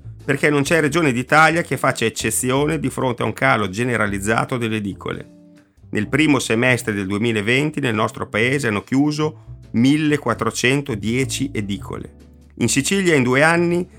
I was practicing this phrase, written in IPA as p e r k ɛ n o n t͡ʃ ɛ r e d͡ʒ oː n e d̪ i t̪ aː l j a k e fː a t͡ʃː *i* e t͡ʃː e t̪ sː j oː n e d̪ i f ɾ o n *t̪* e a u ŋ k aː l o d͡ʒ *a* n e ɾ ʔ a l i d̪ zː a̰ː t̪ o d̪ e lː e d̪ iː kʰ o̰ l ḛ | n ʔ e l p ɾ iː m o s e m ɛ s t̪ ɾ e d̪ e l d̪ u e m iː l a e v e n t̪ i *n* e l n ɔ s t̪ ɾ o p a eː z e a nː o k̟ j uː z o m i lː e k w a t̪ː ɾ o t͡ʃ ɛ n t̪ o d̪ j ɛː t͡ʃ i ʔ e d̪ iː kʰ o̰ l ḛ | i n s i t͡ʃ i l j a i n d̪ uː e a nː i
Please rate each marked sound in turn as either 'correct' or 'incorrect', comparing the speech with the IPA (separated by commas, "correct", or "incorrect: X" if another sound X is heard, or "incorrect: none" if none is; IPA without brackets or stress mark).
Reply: incorrect: a, correct, incorrect: e, correct